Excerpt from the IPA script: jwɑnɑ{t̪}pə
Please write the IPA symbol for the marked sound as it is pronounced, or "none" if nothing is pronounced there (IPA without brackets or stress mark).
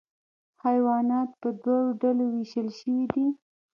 t̪